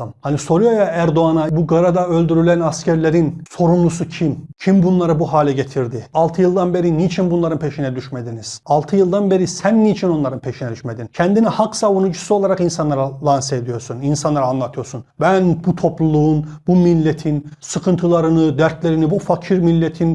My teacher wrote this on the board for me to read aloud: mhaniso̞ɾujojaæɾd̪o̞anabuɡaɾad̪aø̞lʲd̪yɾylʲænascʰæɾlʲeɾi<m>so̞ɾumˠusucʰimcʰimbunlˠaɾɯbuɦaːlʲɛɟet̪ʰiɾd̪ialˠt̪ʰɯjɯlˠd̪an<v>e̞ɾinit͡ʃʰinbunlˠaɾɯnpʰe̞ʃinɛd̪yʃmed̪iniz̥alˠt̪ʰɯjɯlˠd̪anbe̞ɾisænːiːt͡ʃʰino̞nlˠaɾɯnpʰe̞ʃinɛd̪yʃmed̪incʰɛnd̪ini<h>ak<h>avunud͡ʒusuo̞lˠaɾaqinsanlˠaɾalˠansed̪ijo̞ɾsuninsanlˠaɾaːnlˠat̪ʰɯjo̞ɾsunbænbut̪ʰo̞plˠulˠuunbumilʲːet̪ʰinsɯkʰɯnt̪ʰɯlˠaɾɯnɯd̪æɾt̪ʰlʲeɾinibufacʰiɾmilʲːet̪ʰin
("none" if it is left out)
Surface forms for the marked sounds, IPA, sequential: n, b, h, s

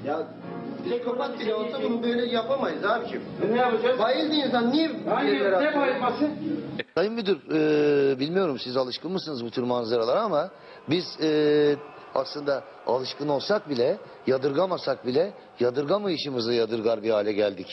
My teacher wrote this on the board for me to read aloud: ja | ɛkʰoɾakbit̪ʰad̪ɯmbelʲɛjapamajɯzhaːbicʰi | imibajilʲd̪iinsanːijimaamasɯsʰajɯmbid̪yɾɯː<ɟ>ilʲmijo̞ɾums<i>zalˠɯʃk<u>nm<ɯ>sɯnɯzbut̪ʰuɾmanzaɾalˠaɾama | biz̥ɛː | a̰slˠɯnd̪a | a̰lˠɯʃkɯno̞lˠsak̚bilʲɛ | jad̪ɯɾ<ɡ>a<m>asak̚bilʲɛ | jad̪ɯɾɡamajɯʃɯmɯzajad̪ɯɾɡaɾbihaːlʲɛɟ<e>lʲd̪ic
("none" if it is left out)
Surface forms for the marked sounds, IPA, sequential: b, i, ɯ, ɯ, ɡ, m, æ

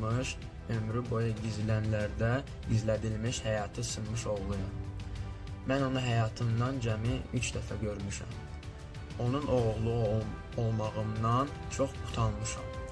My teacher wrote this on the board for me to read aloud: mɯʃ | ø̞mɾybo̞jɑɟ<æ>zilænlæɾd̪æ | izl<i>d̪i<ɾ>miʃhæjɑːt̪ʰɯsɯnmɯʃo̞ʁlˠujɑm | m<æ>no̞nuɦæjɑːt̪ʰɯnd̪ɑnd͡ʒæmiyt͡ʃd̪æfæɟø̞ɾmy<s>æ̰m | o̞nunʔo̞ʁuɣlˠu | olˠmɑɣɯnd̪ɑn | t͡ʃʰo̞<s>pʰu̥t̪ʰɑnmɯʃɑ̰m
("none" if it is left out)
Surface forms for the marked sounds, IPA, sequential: i, æ, l, æ, ʃ, χ

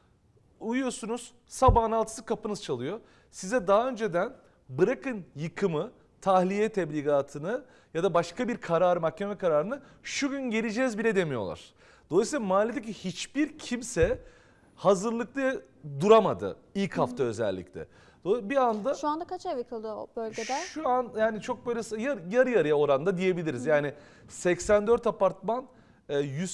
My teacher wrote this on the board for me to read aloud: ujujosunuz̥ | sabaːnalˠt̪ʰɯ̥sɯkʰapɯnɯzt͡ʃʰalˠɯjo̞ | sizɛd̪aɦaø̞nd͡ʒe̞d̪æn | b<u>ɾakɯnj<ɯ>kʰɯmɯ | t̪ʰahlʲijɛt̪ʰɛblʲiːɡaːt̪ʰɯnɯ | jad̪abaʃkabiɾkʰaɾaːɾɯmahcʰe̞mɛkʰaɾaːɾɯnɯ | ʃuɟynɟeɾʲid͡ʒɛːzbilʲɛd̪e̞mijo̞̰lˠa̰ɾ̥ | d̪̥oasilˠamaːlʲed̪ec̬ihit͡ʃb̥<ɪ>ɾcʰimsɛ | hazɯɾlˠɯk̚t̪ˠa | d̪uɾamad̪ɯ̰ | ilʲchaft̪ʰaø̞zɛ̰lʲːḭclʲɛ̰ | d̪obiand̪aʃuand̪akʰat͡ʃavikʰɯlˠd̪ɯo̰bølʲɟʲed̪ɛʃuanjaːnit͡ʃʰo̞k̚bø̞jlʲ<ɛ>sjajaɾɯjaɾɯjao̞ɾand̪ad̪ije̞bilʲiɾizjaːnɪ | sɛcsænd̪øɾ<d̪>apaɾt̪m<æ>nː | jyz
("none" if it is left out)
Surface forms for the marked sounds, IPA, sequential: ɯ, ɯ, i, ɛ, t̪, a

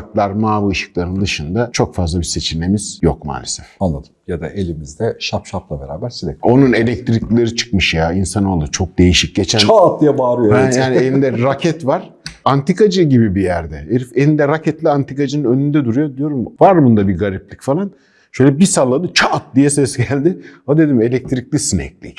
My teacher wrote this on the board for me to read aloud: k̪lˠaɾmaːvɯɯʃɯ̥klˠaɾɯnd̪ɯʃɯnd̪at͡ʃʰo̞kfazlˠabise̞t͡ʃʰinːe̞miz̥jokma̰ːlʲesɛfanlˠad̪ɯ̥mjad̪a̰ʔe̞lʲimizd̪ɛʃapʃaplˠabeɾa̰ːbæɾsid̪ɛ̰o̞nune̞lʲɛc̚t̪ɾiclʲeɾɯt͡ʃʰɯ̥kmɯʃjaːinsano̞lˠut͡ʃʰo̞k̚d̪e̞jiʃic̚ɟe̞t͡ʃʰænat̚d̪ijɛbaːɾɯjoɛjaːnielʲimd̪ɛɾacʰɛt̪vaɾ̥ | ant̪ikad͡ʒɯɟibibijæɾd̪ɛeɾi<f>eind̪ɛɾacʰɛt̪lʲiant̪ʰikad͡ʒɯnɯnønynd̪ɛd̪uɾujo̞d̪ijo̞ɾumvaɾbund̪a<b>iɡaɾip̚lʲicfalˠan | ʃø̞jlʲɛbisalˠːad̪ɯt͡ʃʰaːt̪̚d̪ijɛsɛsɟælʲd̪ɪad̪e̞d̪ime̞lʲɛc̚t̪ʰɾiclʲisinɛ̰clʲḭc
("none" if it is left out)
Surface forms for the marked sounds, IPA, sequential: f, b

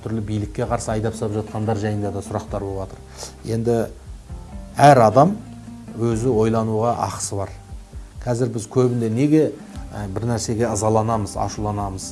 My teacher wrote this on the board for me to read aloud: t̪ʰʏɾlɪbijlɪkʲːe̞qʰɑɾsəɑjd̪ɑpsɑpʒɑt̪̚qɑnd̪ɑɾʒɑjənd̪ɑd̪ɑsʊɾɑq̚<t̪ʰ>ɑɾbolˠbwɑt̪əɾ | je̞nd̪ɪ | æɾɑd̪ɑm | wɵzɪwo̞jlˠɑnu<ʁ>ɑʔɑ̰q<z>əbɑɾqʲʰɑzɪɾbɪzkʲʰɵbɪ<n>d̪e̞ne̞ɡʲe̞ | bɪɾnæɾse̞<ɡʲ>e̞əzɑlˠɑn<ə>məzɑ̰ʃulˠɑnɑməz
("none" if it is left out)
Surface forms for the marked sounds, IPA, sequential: t̪, ʁ, s, n, ɡʲ, ɑ

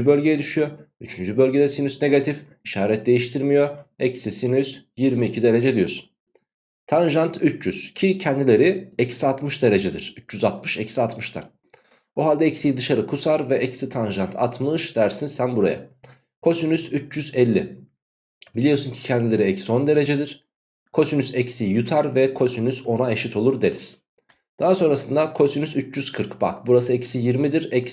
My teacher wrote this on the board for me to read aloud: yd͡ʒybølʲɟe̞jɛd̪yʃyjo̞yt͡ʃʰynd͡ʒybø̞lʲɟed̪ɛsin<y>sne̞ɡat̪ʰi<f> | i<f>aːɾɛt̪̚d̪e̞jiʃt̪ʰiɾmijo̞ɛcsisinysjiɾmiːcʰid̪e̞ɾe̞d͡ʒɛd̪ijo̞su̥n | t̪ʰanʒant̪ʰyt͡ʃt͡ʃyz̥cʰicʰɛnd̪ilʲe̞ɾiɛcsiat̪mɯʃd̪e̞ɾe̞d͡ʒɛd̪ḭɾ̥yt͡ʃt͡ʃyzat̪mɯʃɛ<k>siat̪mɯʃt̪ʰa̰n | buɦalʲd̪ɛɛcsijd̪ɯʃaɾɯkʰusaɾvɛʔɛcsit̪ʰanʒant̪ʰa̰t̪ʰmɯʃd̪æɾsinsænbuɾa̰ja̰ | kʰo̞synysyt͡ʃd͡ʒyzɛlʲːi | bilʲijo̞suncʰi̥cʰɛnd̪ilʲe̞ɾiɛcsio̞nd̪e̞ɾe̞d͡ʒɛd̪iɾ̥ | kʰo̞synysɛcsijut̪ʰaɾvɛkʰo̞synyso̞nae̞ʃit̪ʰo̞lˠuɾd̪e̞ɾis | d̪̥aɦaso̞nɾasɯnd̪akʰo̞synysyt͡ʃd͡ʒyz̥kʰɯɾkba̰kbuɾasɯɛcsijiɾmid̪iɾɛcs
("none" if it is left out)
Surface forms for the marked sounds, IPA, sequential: y, f, ʃ, c

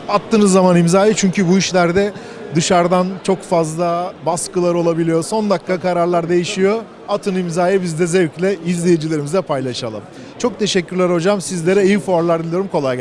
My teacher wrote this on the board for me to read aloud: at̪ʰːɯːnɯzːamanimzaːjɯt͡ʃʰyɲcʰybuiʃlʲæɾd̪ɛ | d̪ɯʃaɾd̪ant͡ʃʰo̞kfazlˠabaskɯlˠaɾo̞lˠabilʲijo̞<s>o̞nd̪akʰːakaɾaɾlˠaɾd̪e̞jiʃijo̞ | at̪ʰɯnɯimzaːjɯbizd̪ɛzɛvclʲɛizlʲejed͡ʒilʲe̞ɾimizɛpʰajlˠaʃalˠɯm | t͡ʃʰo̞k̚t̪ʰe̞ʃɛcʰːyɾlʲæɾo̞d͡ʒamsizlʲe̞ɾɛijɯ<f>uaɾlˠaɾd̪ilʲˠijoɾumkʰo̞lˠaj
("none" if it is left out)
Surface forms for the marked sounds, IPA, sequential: s, f

